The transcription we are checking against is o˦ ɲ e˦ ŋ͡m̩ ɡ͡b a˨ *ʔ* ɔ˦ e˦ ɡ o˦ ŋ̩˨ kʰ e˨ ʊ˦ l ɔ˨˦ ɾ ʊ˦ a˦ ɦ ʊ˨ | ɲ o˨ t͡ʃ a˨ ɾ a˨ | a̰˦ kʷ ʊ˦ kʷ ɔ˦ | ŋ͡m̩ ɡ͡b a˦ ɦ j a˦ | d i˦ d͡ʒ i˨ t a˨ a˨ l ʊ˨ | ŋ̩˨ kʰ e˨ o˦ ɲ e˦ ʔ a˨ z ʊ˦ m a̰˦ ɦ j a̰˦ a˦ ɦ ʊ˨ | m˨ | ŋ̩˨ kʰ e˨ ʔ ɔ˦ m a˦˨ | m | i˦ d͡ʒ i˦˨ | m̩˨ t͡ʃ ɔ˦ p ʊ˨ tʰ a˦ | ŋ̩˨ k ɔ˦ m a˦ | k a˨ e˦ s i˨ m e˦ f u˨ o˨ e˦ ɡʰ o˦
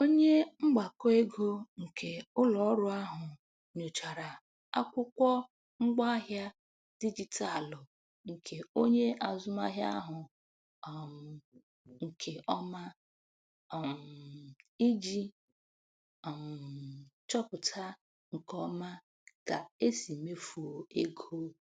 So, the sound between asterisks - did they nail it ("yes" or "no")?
no